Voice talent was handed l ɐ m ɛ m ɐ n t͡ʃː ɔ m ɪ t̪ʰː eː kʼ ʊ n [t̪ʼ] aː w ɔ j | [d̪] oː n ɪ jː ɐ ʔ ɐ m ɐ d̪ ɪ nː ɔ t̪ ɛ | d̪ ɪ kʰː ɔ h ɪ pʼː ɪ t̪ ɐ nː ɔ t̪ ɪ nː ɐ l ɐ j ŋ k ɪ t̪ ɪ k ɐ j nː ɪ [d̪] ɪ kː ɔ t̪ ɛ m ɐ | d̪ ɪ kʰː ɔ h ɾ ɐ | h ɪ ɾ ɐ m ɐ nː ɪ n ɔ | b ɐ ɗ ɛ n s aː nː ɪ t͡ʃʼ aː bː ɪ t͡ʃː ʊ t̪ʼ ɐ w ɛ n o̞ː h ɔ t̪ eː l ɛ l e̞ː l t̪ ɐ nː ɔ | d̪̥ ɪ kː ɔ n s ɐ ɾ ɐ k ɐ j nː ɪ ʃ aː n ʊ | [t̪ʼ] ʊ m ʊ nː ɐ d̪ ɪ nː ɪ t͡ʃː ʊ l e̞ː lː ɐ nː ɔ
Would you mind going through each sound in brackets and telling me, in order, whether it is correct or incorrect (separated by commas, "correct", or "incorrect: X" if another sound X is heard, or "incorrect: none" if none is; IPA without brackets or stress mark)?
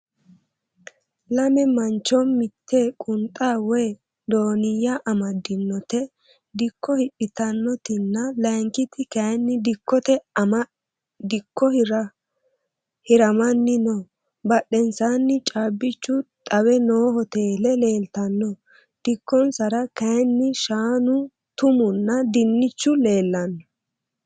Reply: correct, correct, correct, incorrect: t̪